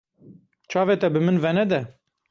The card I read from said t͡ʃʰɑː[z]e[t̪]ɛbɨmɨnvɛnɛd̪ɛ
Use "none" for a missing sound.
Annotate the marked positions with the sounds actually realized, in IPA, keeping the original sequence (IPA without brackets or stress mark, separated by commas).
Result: v, t̪